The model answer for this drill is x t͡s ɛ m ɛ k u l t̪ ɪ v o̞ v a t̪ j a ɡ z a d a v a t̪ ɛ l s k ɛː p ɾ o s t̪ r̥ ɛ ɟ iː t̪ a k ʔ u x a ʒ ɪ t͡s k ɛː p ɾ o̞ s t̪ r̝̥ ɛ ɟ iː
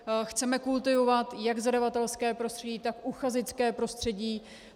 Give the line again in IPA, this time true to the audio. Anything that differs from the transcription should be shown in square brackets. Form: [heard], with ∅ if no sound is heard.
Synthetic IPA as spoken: x t͡s ɛ m ɛ k u l t̪ ɪ v o̞ v a t̪ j a ɡ z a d a v a t̪ ɛ l s k ɛː p ɾ o s t̪ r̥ ɛ ɟ iː t̪ a k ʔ u x a [z] ɪ t͡s k ɛː p ɾ o̞ s t̪ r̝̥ ɛ ɟ iː